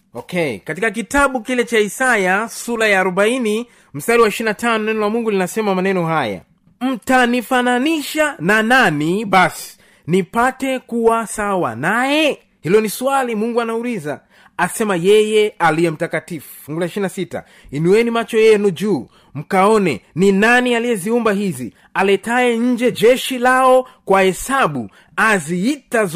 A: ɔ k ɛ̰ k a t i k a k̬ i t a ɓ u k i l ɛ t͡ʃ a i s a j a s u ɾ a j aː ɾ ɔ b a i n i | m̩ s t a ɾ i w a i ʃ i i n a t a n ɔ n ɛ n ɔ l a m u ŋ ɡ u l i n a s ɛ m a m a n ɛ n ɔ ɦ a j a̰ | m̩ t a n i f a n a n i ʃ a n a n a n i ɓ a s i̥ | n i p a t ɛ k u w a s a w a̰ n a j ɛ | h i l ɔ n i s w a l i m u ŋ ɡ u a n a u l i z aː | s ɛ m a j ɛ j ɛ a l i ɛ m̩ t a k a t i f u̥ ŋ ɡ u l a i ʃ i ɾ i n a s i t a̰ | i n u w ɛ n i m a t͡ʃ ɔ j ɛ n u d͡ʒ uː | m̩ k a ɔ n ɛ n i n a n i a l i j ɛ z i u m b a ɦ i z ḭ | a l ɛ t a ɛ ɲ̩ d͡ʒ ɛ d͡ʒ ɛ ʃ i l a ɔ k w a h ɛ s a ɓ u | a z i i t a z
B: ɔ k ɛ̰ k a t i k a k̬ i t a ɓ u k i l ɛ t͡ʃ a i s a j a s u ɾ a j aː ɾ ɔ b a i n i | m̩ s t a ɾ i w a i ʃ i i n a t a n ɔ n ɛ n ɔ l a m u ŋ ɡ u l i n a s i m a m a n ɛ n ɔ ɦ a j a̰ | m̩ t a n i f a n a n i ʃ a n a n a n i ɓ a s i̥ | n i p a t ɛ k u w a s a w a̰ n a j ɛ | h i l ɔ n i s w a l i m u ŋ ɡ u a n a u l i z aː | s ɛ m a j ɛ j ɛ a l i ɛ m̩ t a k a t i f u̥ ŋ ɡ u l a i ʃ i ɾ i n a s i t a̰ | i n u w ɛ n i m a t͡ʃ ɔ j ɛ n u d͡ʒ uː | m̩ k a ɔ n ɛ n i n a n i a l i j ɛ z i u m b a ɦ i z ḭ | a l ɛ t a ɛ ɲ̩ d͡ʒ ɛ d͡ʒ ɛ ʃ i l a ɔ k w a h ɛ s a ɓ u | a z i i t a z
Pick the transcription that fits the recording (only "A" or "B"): A